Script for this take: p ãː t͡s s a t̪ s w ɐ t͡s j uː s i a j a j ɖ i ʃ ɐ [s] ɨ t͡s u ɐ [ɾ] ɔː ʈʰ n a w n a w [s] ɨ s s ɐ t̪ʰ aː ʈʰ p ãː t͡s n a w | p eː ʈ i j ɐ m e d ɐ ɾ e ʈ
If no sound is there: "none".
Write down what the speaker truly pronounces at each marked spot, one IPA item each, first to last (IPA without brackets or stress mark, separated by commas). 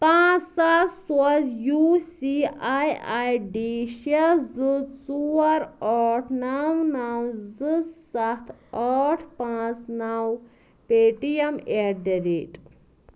z, ɾ, z